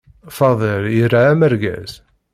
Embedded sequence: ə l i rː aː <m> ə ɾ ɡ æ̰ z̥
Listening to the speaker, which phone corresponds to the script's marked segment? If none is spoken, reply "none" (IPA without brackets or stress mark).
m